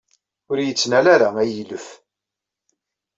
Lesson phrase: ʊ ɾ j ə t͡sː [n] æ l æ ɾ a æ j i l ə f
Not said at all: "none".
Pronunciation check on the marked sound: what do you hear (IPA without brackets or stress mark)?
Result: n